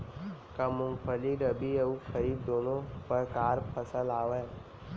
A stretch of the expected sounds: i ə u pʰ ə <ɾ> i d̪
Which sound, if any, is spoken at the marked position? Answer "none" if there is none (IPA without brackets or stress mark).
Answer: ɾ